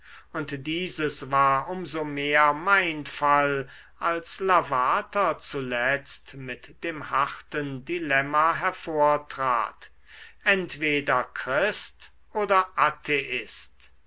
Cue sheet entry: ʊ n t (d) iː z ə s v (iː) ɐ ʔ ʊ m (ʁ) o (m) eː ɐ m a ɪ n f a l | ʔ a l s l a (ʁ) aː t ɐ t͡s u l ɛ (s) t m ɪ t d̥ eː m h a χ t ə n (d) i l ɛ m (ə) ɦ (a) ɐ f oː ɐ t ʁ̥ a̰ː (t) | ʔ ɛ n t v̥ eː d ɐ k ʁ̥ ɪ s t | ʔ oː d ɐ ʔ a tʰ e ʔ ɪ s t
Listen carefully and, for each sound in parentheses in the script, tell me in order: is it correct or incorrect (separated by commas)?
correct, incorrect, incorrect, correct, incorrect, incorrect, correct, incorrect, incorrect, correct